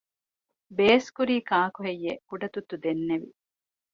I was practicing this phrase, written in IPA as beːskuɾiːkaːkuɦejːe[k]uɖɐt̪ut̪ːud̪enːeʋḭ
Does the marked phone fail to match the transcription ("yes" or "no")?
no